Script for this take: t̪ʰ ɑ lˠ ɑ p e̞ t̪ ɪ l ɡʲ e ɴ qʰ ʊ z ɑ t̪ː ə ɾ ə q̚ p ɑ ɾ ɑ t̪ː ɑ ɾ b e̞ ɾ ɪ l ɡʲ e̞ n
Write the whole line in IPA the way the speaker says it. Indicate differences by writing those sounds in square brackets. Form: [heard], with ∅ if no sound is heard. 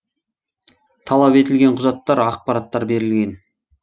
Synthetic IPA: t̪ʰ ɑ lˠ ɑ p e̞ t̪ ɪ l ɡʲ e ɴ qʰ ʊ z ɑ t̪ː [ɑ] ɾ [ɑ] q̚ p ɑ ɾ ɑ t̪ː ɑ ɾ b e̞ ɾ ɪ l ɡʲ e̞ n